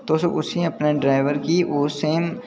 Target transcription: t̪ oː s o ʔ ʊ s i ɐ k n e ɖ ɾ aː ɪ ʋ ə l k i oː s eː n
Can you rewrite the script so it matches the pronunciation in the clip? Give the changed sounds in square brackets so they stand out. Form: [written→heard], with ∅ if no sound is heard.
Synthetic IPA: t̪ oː s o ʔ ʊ s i ɐ [k→p] n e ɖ ɾ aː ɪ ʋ ə [l→ɾ] k i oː s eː [n→m]